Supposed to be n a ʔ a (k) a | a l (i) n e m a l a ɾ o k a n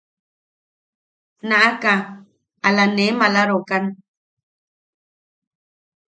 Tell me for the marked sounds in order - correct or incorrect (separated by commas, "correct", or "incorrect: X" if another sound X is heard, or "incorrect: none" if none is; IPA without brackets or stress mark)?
correct, incorrect: a